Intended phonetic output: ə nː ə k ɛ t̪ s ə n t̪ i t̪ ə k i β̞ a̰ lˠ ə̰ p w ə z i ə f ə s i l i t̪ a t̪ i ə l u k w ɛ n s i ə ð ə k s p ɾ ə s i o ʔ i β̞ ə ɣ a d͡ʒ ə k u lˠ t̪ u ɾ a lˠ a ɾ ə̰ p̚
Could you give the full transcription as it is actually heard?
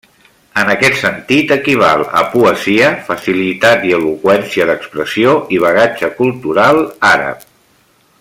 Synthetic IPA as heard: ə n ə k ɛ t̪ s ə n t̪ i t̪ ə k i β̞ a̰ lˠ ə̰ p u ə z i ə f ə s i l i t̪ a t̪ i ə l u k w ɛ n s i ə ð ə k s p ɾ ə s i o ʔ i β̞ ə ɣ a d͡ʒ ə k u lˠ t̪ u ɾ a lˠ a ɾ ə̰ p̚